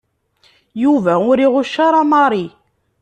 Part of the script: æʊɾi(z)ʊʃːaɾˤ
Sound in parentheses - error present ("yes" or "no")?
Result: yes